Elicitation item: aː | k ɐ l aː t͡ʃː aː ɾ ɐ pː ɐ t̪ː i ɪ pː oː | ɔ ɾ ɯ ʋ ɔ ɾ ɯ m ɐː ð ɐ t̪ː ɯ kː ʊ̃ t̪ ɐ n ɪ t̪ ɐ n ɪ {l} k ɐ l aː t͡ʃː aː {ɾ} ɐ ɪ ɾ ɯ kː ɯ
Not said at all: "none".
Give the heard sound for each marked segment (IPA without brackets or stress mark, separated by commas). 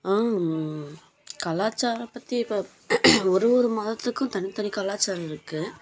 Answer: none, ɾ